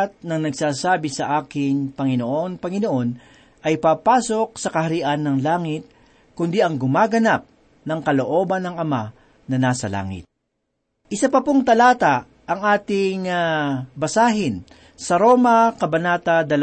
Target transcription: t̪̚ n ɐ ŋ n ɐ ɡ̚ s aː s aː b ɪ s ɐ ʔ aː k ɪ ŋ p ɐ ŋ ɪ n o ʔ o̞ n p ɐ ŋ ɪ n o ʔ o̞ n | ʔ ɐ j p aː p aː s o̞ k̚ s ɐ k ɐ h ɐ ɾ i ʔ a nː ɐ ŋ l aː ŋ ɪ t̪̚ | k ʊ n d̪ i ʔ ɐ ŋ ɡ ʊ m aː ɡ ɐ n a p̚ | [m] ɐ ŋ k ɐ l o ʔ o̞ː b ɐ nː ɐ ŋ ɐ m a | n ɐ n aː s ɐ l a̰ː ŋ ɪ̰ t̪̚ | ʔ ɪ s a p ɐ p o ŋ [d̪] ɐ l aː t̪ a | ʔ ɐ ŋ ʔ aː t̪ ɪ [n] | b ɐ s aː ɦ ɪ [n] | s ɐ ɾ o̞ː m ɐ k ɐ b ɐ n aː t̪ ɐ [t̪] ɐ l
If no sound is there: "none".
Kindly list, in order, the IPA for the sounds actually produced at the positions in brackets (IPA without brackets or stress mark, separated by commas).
n, t̪, ŋ, n, d̪